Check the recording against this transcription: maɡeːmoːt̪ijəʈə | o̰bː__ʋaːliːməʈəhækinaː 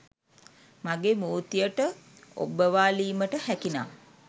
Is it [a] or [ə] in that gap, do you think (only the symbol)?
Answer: ə